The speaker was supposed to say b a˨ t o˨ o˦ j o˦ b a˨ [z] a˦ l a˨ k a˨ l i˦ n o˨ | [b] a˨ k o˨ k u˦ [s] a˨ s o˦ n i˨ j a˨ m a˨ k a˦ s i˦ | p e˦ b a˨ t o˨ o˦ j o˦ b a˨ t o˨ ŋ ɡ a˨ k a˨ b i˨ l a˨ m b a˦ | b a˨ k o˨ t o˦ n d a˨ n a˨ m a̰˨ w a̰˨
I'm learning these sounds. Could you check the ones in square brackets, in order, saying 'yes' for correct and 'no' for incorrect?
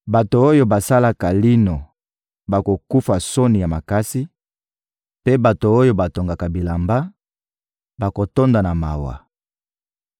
no, yes, no

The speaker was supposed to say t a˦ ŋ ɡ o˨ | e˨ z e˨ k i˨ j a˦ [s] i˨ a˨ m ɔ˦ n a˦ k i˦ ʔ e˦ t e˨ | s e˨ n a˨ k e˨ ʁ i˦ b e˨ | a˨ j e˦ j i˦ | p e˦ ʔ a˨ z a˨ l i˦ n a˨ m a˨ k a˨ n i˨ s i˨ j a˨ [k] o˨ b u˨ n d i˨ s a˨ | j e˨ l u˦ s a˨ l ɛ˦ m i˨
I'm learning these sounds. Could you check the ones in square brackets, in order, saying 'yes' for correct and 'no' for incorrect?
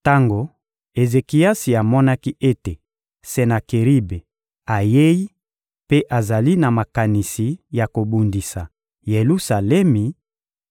yes, yes

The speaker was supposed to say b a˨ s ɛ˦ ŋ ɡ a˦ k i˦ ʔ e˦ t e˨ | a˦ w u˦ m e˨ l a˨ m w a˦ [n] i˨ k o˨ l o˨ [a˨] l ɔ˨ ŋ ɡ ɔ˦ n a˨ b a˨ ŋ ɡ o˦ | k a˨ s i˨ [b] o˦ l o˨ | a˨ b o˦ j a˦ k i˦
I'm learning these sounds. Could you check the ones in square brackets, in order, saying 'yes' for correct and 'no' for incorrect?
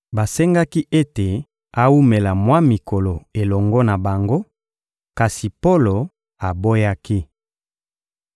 no, no, no

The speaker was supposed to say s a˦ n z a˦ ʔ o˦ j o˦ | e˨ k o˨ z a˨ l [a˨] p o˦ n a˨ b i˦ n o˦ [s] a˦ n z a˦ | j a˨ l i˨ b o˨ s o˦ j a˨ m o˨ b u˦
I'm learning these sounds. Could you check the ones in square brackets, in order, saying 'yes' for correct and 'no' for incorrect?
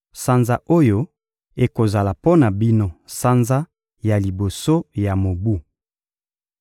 yes, yes

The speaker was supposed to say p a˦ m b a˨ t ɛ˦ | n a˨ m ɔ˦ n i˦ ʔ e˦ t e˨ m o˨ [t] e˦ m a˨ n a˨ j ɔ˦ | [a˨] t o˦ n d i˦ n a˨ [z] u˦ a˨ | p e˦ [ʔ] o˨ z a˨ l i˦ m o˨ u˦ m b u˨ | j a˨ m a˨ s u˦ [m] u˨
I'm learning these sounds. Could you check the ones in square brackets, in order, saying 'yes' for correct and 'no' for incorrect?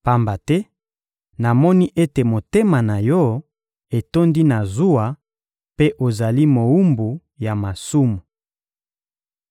yes, no, yes, yes, yes

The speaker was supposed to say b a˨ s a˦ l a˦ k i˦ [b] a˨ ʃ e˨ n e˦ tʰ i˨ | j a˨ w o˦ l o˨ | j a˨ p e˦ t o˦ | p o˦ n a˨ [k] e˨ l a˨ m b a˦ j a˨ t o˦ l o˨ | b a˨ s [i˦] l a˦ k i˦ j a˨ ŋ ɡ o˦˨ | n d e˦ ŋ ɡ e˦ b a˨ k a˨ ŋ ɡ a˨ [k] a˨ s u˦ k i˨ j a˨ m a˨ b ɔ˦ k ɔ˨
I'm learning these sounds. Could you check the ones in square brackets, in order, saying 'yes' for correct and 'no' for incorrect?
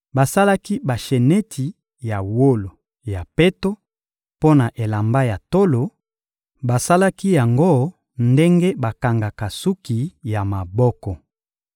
yes, no, no, yes

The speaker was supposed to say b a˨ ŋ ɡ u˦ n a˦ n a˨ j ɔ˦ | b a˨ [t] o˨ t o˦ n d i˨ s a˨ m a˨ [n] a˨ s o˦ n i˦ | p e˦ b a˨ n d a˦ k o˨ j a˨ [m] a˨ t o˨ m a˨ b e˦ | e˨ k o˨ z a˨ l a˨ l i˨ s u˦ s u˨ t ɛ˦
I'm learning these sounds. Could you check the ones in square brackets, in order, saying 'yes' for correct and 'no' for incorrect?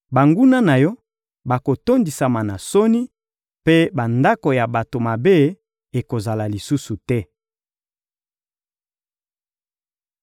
no, yes, no

